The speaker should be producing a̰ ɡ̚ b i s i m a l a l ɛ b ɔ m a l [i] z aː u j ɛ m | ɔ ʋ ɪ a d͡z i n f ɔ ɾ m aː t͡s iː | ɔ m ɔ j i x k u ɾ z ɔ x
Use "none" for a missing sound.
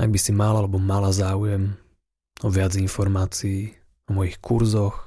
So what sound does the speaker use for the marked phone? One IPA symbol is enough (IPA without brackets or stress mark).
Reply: a